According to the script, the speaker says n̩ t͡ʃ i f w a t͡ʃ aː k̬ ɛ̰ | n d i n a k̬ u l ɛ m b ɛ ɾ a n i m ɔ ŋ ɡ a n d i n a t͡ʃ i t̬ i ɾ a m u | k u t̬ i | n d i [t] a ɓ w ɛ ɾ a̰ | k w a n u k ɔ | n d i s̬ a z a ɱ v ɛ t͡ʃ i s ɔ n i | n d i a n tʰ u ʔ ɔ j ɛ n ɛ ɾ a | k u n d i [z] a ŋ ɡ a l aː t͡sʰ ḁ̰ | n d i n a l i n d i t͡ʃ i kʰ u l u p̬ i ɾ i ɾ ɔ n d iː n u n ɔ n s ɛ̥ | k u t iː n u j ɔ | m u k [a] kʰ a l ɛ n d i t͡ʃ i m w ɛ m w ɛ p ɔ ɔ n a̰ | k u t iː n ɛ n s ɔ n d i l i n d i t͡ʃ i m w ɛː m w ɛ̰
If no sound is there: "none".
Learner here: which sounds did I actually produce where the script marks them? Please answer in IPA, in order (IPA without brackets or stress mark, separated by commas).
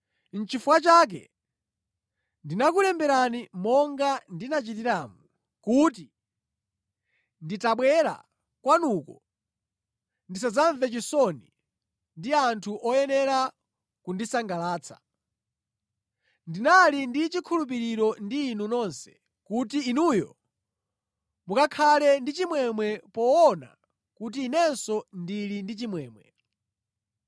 t, s, a